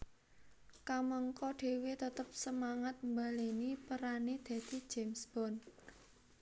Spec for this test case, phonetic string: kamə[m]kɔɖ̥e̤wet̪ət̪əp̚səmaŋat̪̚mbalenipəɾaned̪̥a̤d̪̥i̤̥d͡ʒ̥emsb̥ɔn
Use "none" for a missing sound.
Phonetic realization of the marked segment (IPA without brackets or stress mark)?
ŋ